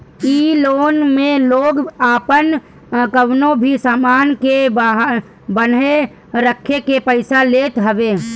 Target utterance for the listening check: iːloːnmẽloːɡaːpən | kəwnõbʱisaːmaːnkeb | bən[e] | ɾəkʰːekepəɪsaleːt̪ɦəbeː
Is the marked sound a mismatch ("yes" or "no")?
no